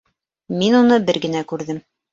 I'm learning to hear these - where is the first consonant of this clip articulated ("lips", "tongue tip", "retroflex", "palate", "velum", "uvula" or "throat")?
lips